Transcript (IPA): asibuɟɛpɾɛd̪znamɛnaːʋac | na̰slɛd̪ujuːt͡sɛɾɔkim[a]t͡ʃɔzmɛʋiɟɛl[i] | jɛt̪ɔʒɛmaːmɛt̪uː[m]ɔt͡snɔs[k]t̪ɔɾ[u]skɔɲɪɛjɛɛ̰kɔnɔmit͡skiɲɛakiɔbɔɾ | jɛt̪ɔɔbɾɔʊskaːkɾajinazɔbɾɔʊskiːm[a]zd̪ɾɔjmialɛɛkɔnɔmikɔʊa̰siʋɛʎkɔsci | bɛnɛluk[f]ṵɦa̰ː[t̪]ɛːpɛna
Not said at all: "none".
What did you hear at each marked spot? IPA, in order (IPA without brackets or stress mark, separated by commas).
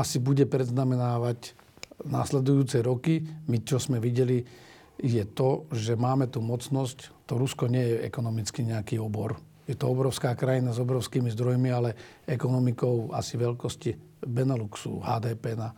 i, i, m, c, u, i, s, d̪